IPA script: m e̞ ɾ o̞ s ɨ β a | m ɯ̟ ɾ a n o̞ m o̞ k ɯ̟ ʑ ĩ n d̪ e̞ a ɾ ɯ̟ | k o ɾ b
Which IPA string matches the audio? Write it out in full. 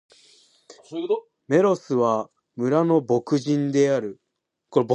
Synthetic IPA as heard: m e̞ ɾ o̞ s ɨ β a | m ɯ̟ ɾ a n o̞ b o̞ k ɯ̟ ʑ ĩ n d̪ e̞ a ɾ ɯ̟ | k o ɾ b